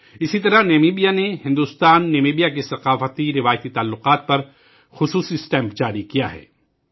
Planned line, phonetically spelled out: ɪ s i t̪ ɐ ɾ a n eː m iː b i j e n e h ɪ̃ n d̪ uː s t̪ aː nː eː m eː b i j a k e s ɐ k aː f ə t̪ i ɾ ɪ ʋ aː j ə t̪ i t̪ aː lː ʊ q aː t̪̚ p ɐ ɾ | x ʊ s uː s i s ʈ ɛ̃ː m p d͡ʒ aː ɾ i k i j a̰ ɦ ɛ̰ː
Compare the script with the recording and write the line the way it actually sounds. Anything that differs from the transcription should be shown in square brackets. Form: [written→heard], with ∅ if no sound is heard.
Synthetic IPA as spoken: ɪ s i t̪ ɐ ɾ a n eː m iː b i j [e→a] n e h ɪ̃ n d̪ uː s t̪ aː nː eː m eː b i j a k e s ɐ [k→q] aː f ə t̪ i ɾ ɪ ʋ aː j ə t̪ i t̪ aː lː ʊ q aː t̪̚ p ɐ ɾ | x ʊ s uː s i s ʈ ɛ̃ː m p d͡ʒ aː ɾ i k i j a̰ ɦ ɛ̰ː

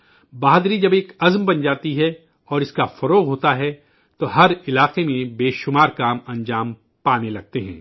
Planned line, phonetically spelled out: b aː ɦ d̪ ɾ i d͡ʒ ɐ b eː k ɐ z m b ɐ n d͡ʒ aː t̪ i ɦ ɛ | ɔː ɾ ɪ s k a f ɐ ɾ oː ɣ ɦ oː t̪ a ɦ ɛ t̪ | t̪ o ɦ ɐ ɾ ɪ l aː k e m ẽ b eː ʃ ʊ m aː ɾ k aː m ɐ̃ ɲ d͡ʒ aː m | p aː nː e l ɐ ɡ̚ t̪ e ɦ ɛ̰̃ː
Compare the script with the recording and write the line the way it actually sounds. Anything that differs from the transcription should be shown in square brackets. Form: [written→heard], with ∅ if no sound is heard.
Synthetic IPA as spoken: b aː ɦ d̪ ɾ i d͡ʒ ɐ b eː k ɐ z m b ɐ n d͡ʒ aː t̪ i ɦ ɛ | ɔː ɾ ɪ s k a f ɐ ɾ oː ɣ ɦ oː t̪ a ɦ ɛ [t̪→∅] | t̪ o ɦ ɐ ɾ ɪ l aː [k→q] e m ẽ b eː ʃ ʊ m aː ɾ k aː m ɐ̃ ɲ d͡ʒ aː m | p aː [nː→n] e l ɐ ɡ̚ t̪ e ɦ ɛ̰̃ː

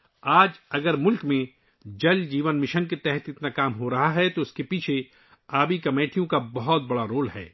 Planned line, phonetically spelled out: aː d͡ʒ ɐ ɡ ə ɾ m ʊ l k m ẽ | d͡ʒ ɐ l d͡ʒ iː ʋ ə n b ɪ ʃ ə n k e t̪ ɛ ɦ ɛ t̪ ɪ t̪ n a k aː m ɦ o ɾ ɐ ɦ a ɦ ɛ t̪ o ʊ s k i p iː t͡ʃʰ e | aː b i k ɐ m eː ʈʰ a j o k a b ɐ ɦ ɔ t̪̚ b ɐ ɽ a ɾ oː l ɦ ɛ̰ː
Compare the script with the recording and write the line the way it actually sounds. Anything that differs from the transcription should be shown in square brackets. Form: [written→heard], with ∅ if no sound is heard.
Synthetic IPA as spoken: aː d͡ʒ ɐ ɡ ə ɾ m ʊ l k m ẽ | d͡ʒ ɐ l d͡ʒ iː ʋ ə n [b→m] ɪ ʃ ə n k e t̪ ɛ ɦ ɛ t̪ ɪ t̪ n a k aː m ɦ o ɾ ɐ ɦ a ɦ ɛ t̪ o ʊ s k [i→e] p iː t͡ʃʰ e | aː b i k ɐ m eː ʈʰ [a→i] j [o→õ] k a b ɐ ɦ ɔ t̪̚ b ɐ ɽ a ɾ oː l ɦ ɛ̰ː

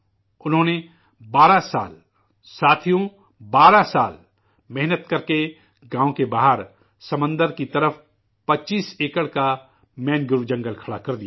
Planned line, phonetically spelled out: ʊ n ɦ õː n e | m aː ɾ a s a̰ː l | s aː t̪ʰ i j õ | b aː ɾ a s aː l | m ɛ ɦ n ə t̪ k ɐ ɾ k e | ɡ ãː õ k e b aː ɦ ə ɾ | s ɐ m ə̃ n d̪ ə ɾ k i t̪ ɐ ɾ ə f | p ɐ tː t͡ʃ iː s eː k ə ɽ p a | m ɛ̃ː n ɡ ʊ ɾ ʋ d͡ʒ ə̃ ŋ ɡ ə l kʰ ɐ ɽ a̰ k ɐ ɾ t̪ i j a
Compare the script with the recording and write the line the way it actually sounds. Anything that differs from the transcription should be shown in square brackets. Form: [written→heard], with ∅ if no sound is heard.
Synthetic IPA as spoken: ʊ n ɦ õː n e | [m→b] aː ɾ a s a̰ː l | s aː t̪ʰ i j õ | b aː ɾ a s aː l | m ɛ ɦ n ə t̪ k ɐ ɾ k e | ɡ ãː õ k e b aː ɦ ə ɾ | s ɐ m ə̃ n d̪ ə ɾ k i t̪ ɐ ɾ ə f | p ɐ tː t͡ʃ iː s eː k ə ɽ [p→k] a | m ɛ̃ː n ɡ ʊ ɾ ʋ d͡ʒ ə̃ ŋ ɡ ə l kʰ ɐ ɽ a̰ k ɐ ɾ [t̪→d̪] i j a

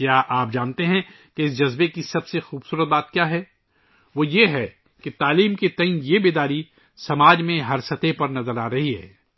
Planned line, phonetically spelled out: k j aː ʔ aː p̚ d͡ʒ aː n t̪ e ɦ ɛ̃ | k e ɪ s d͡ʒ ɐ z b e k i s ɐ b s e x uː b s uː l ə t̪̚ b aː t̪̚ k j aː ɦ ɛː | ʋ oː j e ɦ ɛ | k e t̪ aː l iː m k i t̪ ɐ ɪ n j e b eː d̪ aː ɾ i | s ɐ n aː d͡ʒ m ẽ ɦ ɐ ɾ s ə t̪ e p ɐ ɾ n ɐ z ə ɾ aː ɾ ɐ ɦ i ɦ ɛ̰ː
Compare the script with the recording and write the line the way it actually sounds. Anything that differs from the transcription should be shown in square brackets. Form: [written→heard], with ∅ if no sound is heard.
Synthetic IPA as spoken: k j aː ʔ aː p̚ d͡ʒ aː n t̪ e ɦ ɛ̃ | k e ɪ s d͡ʒ ɐ z b e k i s ɐ b s e x uː b s uː [l→ɾ] ə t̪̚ b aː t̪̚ k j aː ɦ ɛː | ʋ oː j e ɦ ɛ | k e t̪ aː l iː m k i t̪ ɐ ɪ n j e b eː d̪ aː ɾ i | s ɐ [n→m] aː d͡ʒ m ẽ ɦ ɐ ɾ s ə t̪ e p ɐ ɾ n ɐ z ə ɾ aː ɾ ɐ ɦ i ɦ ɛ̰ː

